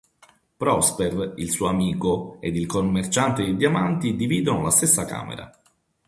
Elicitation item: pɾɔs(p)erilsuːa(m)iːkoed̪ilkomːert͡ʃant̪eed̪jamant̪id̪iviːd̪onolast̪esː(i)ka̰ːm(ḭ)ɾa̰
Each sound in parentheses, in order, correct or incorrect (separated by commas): correct, correct, incorrect, incorrect